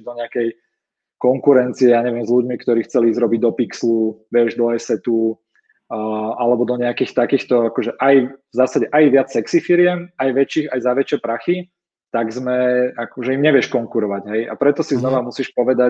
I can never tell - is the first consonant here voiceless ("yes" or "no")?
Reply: no